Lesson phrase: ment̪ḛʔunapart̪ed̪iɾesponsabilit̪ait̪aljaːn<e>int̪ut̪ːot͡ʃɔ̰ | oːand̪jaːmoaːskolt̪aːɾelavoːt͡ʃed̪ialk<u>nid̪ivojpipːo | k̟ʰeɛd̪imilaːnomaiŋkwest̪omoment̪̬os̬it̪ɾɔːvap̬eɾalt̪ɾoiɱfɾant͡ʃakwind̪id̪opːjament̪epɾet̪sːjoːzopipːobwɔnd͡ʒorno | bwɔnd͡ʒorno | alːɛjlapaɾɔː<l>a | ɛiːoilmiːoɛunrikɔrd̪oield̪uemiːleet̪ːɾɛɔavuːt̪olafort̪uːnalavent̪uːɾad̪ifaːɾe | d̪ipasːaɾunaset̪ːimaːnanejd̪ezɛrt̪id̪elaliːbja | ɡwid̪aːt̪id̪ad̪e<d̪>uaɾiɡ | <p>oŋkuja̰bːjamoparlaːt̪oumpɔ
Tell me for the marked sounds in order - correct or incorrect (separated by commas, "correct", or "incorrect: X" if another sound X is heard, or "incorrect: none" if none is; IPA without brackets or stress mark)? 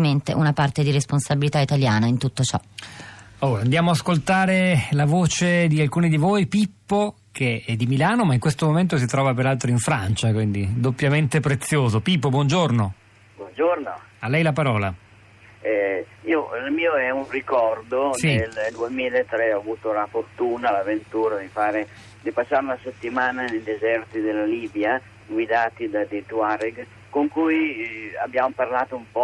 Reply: incorrect: a, incorrect: uː, correct, incorrect: t̪, incorrect: k